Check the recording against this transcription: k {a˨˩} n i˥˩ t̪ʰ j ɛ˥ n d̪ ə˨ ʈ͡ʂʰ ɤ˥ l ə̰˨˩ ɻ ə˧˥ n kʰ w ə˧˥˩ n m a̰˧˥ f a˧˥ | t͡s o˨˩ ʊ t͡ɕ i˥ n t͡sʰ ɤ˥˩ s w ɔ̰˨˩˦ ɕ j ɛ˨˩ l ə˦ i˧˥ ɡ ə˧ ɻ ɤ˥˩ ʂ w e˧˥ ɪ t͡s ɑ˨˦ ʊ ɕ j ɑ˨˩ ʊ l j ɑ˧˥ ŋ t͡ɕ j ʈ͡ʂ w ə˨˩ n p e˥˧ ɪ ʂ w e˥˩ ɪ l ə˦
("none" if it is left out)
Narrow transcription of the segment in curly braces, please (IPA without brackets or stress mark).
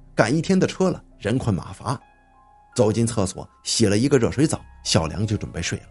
a˨˩